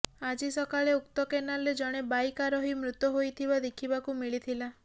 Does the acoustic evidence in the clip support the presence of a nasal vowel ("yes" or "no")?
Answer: no